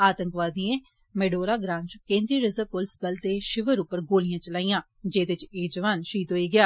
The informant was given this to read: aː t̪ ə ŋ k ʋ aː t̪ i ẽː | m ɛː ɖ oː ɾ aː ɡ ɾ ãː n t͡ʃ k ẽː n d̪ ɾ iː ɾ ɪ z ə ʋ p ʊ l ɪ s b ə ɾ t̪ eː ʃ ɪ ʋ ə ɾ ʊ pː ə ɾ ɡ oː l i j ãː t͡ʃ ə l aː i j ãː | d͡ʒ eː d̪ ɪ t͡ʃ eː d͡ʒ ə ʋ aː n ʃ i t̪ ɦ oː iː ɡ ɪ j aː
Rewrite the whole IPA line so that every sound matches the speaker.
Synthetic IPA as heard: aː t̪ ə ŋ k ʋ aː d̪ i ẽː | m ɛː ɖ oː ɾ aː ɡ ɾ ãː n t͡ʃ k ẽː n d̪ ɾ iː ɾ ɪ z ə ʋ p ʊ l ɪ s b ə l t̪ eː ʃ ɪ ʋ ə ɾ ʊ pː ə ɾ ɡ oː l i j ãː t͡ʃ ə l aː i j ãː | d͡ʒ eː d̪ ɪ t͡ʃ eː d͡ʒ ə ʋ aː n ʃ iː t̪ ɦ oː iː ɡ ɪ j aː